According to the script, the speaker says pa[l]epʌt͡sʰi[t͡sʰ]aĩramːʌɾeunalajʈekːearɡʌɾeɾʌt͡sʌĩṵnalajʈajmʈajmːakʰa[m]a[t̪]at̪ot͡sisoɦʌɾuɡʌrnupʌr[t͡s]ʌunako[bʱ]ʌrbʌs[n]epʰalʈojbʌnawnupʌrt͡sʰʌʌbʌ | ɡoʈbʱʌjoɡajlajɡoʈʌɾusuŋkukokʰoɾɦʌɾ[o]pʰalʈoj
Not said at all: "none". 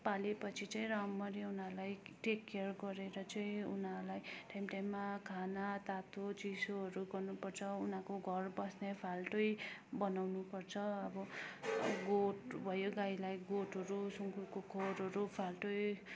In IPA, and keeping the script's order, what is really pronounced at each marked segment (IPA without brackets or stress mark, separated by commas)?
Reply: l, t͡s, n, t̪, t͡sʰ, ɡʱ, n, u